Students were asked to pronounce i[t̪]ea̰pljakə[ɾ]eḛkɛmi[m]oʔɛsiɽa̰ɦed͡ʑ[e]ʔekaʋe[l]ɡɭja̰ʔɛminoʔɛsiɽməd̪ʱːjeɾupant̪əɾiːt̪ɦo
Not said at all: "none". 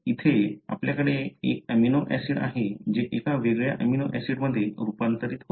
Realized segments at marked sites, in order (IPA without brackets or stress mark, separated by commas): t̪ʰ, ɽ, n, e, none